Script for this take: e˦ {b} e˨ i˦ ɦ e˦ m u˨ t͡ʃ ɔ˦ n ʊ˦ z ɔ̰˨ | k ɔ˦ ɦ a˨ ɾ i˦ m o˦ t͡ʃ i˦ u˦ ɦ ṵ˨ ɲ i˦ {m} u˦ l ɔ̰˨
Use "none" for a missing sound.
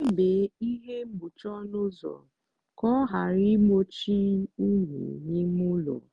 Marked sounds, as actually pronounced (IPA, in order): b, m

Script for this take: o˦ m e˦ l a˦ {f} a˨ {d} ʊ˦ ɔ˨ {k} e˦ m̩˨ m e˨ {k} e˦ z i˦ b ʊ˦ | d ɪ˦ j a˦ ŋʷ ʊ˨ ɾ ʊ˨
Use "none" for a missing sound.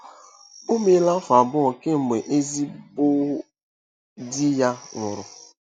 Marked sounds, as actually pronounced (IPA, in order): f, b, k, ʔ

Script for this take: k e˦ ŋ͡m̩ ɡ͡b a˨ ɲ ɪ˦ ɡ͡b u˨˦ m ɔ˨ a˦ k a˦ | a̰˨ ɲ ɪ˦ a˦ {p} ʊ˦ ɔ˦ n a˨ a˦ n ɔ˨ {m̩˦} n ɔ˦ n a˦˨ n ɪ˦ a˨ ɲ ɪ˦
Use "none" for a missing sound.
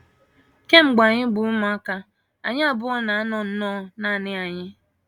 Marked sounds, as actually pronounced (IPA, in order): b, n̩˦

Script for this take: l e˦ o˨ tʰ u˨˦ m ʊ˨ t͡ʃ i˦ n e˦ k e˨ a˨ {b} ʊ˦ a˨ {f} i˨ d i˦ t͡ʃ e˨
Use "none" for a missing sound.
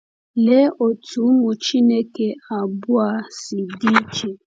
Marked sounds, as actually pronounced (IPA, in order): b, s

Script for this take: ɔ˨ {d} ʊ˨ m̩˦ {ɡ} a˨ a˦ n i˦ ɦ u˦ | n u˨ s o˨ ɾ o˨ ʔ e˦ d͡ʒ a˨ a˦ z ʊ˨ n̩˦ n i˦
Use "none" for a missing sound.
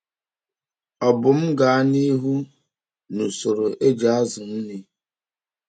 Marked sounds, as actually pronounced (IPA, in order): b, ɡ

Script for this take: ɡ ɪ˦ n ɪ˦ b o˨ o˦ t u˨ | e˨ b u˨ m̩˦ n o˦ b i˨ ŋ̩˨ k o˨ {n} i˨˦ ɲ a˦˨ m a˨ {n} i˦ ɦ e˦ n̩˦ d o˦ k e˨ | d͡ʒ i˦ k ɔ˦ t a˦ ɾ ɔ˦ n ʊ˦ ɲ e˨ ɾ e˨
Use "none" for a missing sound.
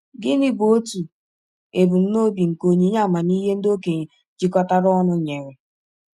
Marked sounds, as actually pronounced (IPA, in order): ɲ, n

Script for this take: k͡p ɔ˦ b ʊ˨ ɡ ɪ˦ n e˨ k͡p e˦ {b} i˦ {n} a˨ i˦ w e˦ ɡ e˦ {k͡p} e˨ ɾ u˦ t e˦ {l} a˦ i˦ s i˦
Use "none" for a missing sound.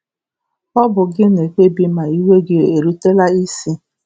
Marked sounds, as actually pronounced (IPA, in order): b, m, none, l

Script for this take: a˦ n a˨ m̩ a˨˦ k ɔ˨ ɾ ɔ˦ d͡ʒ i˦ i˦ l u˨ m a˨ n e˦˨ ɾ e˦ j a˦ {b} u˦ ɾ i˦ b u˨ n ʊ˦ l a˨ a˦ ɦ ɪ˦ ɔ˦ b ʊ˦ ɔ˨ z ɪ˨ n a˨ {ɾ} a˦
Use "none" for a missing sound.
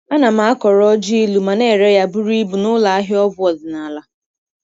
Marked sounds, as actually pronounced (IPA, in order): b, l

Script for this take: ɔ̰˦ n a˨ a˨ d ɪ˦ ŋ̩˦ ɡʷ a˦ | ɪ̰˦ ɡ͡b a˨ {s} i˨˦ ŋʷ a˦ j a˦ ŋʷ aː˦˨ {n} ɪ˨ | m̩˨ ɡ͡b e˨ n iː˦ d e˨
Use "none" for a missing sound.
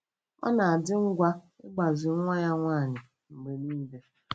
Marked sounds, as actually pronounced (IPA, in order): z, ɲ

